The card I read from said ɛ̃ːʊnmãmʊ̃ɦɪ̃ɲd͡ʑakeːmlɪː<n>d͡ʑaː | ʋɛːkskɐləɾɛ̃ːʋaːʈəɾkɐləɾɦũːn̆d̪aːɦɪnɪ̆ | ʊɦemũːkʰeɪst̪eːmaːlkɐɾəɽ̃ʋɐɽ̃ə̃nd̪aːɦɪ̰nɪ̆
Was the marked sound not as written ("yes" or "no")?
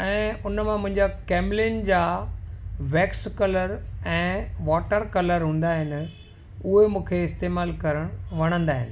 no